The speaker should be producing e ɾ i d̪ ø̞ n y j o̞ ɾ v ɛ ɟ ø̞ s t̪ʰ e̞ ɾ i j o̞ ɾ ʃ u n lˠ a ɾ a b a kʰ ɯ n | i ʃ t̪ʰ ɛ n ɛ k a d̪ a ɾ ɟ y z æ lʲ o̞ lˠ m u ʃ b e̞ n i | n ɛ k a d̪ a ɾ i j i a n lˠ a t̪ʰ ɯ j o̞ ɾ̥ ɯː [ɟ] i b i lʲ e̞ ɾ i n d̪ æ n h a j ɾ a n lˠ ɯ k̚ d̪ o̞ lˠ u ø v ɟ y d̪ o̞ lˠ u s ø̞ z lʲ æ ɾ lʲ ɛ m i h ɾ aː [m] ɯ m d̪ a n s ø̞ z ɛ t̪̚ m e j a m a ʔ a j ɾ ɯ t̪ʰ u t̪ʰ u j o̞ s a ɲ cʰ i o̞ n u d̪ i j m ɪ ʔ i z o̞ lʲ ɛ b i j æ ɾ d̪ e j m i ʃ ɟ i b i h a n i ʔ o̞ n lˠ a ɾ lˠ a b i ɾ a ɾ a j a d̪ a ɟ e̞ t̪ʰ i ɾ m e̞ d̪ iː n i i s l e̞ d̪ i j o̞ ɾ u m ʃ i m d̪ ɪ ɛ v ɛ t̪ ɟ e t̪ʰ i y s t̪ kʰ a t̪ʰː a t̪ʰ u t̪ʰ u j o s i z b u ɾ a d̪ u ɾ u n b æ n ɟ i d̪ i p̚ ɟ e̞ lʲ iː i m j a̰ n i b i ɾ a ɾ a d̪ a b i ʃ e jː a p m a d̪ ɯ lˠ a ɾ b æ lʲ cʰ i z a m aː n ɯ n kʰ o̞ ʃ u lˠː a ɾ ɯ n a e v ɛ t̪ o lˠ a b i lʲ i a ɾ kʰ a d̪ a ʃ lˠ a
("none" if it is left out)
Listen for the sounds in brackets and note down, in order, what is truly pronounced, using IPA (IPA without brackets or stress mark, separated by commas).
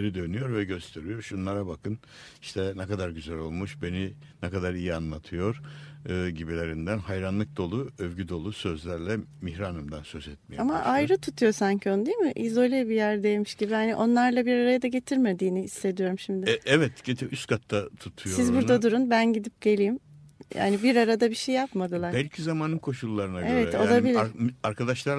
ɟ, n